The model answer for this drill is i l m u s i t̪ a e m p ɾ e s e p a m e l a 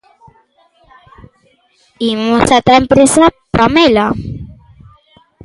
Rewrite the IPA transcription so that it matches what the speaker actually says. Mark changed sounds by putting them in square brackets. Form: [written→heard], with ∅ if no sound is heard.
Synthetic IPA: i [l→∅] m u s [i→a] t̪ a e m p ɾ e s [e→a] p a m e l a